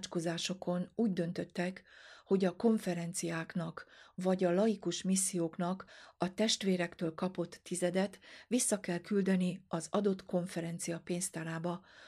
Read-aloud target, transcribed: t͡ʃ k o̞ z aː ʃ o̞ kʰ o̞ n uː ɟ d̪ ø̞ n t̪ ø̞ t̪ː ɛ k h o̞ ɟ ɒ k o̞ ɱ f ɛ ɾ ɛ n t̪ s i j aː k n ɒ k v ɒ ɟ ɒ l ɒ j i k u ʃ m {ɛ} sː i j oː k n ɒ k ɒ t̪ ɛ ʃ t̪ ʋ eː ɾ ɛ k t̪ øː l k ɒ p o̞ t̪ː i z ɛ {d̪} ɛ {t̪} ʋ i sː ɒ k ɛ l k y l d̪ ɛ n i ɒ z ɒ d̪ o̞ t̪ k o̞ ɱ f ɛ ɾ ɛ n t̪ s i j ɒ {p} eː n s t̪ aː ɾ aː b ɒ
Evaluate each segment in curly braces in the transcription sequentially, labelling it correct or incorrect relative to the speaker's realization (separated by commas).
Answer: incorrect, correct, correct, correct